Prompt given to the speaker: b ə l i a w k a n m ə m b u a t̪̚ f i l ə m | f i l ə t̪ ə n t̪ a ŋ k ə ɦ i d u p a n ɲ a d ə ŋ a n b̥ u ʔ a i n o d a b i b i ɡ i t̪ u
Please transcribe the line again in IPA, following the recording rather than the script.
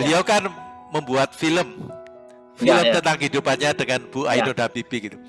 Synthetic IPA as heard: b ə l i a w k a n m ə m b u a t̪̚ f i l ə m | f i l ə t̪ ə n t̪ a ŋ k ə ɦ i d u p a n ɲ a d ə ŋ a n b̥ u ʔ a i n o d a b i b i ɡ i t̪ u